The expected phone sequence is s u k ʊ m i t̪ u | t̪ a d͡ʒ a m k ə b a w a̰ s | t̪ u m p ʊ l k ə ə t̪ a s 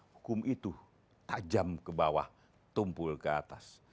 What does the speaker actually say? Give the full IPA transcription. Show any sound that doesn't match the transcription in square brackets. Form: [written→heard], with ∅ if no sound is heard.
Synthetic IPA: [s→h] u k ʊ m i t̪ u | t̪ a d͡ʒ a m k ə b a w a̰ [s→h] | t̪ u m p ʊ l k ə [ə→a] t̪ a s